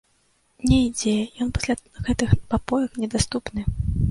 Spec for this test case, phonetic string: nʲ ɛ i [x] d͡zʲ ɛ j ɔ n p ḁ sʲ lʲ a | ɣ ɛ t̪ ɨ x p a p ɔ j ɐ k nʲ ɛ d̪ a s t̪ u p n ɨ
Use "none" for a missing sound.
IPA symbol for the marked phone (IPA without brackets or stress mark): none